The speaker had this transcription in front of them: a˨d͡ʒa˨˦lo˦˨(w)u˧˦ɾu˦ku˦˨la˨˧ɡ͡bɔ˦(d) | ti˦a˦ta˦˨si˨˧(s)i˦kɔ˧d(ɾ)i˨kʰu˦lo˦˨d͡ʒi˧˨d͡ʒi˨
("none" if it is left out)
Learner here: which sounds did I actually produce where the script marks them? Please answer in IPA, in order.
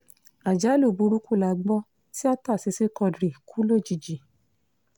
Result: b, none, s, ɾ

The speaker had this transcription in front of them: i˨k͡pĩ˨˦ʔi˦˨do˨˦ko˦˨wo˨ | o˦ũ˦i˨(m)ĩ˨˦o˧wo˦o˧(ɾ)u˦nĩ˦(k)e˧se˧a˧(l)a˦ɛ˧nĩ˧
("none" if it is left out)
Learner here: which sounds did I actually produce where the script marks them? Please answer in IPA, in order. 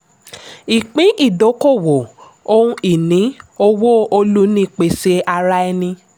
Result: n, l, k͡p, ɾ

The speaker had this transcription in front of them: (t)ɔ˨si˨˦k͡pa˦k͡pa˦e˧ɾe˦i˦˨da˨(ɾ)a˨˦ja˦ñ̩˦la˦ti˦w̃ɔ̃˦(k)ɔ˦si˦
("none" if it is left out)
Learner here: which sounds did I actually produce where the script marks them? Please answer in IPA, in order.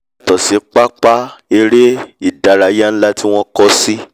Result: t, ɾ, k

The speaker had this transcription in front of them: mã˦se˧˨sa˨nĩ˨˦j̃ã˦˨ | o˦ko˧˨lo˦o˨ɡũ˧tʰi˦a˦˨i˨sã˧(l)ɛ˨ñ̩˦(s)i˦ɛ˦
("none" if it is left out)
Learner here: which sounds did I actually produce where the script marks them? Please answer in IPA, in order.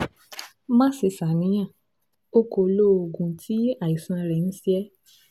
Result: ɾ, s

